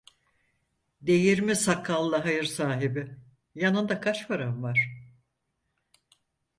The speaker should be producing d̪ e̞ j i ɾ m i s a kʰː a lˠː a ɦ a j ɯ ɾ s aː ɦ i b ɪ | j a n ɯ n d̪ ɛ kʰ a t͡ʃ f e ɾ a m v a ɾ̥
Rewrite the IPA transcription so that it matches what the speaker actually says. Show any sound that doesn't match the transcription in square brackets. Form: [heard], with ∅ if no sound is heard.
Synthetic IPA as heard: d̪ e̞ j i ɾ m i s a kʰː a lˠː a ɦ a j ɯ ɾ s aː ɦ i b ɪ | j a n ɯ n d̪ [a] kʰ a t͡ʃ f [a] ɾ a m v a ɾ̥